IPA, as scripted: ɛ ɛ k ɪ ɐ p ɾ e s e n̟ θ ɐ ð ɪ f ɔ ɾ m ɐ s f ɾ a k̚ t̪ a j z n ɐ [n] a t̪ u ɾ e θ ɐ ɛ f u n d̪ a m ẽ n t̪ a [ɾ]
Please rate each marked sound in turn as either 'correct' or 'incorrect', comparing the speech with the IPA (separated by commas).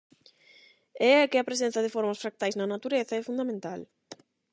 correct, incorrect